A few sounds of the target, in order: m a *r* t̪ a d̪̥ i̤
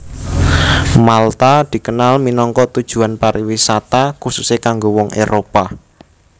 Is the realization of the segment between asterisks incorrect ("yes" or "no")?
yes